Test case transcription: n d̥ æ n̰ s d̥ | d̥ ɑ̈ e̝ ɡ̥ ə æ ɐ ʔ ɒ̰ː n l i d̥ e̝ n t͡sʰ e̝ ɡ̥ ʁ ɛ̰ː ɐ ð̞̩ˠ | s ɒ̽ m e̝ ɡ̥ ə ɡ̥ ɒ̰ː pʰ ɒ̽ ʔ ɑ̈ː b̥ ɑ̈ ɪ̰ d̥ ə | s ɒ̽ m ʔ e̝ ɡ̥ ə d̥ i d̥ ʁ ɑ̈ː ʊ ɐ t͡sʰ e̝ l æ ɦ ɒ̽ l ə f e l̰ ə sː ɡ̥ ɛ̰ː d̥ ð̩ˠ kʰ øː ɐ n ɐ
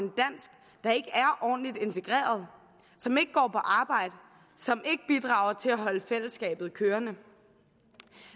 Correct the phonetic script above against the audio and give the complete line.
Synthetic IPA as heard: n d̥ æ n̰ s ɡ̥ | d̥ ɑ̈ e̝ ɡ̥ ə æ ɐ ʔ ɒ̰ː n l i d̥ e̝ n t͡sʰ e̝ ɡ̥ ʁ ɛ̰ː ɐ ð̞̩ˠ | s ɒ̽ m e̝ ɡ̥ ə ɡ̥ ɒ̰ː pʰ ɒ̽ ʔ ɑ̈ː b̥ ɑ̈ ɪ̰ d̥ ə | s ɒ̽ m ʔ e̝ ɡ̥ ə b̥ i d̥ ʁ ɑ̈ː ʊ ɐ t͡sʰ e̝ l æ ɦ ɒ̽ l ə f e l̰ ə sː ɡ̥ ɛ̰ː b̥ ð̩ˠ kʰ øː ɐ n ə